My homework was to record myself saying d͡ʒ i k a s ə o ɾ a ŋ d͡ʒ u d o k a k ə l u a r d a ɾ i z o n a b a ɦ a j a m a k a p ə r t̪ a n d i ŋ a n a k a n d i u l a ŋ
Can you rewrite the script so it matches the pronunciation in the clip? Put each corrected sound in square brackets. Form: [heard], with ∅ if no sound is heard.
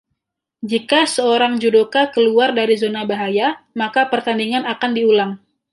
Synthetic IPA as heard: d͡ʒ i k a s ə o ɾ a ŋ d͡ʒ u d o k a k ə l u a r d a ɾ i z o n a b a ɦ a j a m a k a p ə r t̪ a n d i ŋ a n a k a n d i u l a ŋ

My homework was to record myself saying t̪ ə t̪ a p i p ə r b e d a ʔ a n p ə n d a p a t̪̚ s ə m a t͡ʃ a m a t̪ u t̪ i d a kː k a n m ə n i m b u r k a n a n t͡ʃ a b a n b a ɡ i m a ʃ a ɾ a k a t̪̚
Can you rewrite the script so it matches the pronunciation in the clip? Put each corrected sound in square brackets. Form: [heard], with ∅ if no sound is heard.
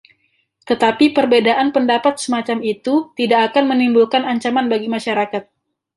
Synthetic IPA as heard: t̪ ə t̪ a p i p ə r b e d a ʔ a n p ə n d a p a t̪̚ s ə m a t͡ʃ a m [i] t̪ u t̪ i d a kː k a n m ə n i m b u [l] k a n a [ɲ] t͡ʃ a [m] a n b a ɡ i m a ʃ a ɾ a k a t̪̚

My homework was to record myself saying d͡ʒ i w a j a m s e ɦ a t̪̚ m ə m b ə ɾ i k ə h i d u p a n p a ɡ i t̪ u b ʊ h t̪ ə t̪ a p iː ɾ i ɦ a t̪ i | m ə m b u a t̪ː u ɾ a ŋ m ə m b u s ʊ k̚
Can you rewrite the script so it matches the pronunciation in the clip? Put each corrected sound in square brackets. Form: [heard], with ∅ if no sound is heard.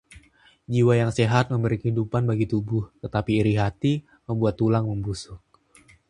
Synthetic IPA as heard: d͡ʒ i w a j a [ŋ] s e ɦ a t̪̚ m ə m b ə ɾ i k ə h i d u p a n [b] a ɡ i t̪ u b ʊ h t̪ ə t̪ a p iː ɾ i ɦ a t̪ i | m ə m b u a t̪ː u [l] a ŋ m ə m b u s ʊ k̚

